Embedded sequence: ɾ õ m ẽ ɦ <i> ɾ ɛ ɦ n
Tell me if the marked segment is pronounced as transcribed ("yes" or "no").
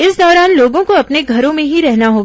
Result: yes